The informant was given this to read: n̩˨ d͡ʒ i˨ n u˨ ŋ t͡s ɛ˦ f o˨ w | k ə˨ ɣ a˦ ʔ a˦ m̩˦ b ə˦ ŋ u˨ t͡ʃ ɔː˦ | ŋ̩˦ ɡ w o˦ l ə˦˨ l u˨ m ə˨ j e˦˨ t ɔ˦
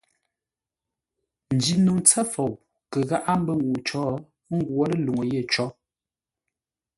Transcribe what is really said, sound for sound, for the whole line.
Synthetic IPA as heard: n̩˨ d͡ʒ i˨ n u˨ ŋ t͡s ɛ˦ f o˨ w | k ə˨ ɣ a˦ ʔ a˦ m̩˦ b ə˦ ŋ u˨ t͡ʃ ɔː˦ | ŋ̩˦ ɡ w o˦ l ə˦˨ l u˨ ŋ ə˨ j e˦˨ t͡ʃ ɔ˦